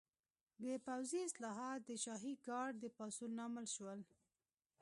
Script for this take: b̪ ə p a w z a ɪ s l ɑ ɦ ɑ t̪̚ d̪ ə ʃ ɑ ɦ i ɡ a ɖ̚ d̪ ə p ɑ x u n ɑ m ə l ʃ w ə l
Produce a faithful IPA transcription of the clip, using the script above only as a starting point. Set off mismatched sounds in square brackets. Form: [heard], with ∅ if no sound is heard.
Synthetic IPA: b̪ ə p a w z [i] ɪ s l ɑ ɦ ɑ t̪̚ d̪ ə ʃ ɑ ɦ i ɡ [ɑ] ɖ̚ d̪ ə p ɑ [s] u n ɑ m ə l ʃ w ə l